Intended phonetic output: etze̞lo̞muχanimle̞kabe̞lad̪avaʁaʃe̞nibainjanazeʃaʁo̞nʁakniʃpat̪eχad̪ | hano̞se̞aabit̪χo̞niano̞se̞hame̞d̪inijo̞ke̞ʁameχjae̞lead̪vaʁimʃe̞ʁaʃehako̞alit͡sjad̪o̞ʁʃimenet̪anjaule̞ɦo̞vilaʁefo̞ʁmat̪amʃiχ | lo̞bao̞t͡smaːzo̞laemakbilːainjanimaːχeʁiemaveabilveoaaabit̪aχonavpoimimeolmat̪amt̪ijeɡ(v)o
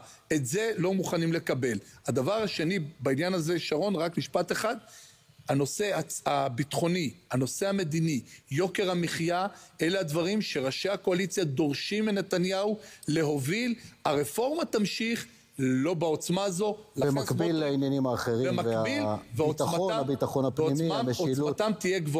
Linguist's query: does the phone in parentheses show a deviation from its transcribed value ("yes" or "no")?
no